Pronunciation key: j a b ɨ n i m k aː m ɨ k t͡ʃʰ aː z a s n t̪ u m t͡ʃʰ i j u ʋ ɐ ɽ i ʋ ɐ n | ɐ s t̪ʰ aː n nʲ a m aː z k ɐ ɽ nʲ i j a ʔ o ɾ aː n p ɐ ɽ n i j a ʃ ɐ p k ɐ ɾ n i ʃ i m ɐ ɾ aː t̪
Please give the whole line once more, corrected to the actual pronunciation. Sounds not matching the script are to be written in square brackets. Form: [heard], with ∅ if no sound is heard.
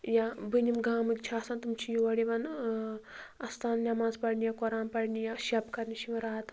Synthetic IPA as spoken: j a b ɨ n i m [ɡ] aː m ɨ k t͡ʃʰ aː [s] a [∅] n t̪ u m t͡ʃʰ i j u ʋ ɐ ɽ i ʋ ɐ n | ɐ s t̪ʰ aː n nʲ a m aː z [p] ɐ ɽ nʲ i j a [k] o ɾ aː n p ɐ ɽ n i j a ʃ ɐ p k ɐ ɾ n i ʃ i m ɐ ɾ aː t̪